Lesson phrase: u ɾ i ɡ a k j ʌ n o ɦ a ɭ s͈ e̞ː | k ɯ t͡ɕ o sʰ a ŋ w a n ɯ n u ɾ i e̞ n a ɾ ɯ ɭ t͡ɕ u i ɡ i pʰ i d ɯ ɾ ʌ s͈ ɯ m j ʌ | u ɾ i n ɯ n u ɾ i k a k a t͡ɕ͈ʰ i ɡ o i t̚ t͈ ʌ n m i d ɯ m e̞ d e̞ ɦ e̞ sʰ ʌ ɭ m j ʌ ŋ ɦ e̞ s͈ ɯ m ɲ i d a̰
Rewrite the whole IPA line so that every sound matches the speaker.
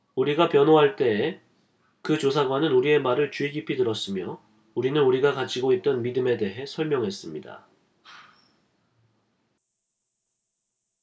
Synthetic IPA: u ɾ i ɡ a p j ʌ n o ɦ a ɭ t͈ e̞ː | k ɯ t͡ɕ o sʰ a ɡ w a n ɯ n u ɾ i e̞ m a ɾ ɯ ɭ t͡ɕ u i ɡ i pʰ i d ɯ ɾ ʌ s͈ ɯ m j ʌ | u ɾ i n ɯ n u ɾ i ɡ a k a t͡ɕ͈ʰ i ɡ o i t̚ t͈ ʌ n m i d ɯ m e̞ d e̞ ɦ e̞ sʰ ʌ ɭ m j ʌ ŋ ɦ e̞ s͈ ɯ m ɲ i d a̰